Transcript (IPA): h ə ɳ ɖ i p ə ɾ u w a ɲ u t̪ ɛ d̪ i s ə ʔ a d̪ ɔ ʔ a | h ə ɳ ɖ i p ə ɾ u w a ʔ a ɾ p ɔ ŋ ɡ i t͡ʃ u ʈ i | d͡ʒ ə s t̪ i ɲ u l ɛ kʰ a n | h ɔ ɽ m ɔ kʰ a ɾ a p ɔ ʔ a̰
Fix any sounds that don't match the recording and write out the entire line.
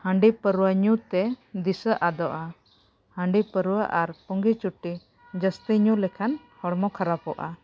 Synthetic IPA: h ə ɳ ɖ i p ə ɾ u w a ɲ u t̪ ɛ d̪ i s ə ʔ a d̪ ɔ ʔ a | h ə ɳ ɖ i p ə ɾ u w a ʔ a ɾ p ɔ ŋ ɡ i t͡ʃ u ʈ i | d͡ʒ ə s t̪ i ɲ u l ɛ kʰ a n | h ɔ ɽ m ɔ kʰ a ɾ a p ɔ ʔ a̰